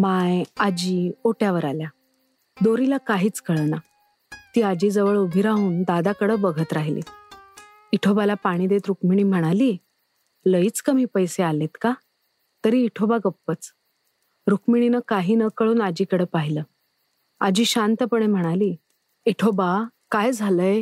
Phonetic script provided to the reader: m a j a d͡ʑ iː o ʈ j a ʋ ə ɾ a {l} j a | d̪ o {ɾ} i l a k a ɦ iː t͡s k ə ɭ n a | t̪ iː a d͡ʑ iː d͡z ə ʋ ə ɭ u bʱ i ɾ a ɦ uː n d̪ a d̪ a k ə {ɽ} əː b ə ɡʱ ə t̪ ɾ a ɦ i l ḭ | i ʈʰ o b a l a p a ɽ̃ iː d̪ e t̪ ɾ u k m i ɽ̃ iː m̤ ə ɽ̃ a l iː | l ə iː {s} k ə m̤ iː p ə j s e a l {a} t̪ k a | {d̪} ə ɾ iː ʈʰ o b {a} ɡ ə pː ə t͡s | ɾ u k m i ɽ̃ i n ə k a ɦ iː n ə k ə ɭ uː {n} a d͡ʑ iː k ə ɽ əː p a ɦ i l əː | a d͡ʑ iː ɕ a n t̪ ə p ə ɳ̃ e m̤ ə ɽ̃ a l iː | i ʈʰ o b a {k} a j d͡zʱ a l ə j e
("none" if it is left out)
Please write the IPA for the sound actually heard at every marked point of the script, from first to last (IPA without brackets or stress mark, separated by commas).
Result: l, ɾ, ɽ, t͡s, e, t̪, a, n, k